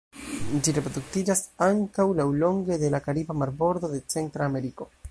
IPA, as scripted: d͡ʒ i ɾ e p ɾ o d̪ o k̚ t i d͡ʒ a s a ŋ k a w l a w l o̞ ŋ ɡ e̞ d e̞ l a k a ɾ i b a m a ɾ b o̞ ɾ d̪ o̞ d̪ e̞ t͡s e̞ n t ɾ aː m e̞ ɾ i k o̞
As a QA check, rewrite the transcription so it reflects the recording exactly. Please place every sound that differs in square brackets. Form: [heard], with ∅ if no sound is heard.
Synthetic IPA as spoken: d͡ʒ i ɾ e p ɾ o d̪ [u] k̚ t i d͡ʒ a s a ŋ k a w l a w l o̞ ŋ ɡ e̞ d e̞ l a k a ɾ i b a m a ɾ b o̞ ɾ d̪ o̞ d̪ e̞ t͡s e̞ n t ɾ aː m e̞ ɾ i k o̞